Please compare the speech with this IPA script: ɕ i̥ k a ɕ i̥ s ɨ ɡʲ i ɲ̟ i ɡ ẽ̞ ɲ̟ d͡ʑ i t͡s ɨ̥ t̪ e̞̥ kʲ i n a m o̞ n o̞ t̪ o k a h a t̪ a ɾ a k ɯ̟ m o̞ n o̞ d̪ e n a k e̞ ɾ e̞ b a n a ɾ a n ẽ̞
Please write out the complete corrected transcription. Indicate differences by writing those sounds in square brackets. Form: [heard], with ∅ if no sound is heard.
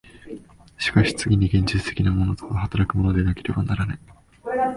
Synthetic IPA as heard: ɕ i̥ k a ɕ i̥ [t͡s] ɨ ɡʲ i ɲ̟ i ɡ ẽ̞ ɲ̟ d͡ʑ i t͡s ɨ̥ t̪ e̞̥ kʲ i n a m o̞ n o̞ t̪ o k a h a t̪ a ɾ a k ɯ̟ m o̞ n o̞ d̪ e n a k e̞ ɾ e̞ b a n a ɾ a n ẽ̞